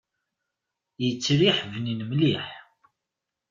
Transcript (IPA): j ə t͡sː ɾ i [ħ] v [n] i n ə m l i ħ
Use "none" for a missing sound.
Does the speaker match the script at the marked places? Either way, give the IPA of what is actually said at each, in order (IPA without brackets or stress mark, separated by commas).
ħ, n